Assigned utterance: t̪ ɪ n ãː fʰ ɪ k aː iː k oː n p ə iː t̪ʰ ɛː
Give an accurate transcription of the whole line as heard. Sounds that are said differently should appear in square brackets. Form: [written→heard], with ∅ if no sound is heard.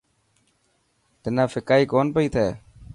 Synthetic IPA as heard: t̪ ɪ n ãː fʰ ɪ k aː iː k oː n p ə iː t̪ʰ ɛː